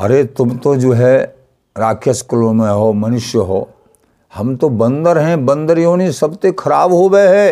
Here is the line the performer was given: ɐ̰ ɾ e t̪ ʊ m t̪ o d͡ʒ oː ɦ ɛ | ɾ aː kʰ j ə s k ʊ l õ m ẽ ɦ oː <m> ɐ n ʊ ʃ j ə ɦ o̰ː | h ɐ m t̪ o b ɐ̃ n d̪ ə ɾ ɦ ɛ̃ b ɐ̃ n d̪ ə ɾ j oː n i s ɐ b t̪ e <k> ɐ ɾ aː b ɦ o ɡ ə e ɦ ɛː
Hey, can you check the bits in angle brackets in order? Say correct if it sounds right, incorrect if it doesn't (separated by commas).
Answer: correct, incorrect